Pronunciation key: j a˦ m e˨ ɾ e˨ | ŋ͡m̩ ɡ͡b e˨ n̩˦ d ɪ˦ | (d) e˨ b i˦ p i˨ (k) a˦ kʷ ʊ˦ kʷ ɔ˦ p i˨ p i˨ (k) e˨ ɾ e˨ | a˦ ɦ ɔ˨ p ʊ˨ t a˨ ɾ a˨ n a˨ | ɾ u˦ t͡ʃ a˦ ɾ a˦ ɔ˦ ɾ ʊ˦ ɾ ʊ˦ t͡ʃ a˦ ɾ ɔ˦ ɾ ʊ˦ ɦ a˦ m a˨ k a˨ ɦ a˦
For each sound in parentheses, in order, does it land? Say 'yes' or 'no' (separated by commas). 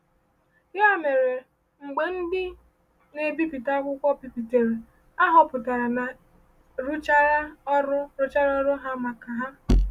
no, no, no